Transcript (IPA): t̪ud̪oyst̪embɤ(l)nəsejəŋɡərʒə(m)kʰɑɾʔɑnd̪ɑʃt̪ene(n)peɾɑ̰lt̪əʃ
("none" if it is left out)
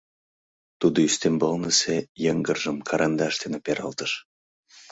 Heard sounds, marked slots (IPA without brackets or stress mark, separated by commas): l, m, none